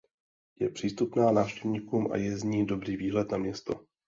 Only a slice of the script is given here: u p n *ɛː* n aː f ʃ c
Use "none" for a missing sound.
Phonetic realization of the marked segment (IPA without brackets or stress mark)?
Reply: aː